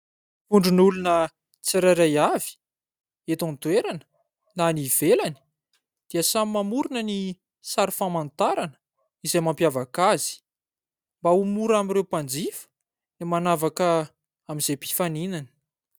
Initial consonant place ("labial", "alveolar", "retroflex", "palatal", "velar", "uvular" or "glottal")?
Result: retroflex